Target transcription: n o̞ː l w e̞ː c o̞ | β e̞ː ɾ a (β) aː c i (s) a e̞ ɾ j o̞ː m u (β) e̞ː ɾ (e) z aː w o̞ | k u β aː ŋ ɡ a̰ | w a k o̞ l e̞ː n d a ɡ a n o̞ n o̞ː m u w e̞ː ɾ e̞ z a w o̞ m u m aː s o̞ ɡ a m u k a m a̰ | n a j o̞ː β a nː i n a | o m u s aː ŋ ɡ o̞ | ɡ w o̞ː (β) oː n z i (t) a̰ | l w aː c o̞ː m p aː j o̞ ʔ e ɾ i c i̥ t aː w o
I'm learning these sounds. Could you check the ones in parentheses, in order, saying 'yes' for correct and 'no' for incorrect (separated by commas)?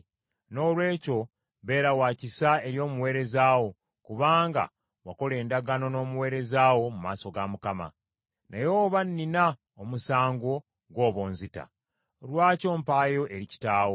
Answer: no, yes, no, yes, yes, yes